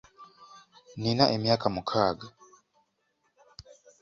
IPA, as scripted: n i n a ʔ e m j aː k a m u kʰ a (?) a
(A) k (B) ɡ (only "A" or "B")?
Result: B